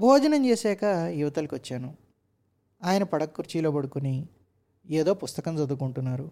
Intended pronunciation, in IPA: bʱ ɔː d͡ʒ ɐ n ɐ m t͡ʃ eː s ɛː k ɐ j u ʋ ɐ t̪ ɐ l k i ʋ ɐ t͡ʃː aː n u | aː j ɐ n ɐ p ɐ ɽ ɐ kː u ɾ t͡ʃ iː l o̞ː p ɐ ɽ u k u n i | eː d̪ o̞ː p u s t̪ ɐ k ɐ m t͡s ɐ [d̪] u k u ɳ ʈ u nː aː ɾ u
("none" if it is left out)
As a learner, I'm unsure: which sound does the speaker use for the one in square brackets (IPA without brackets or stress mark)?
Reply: d̪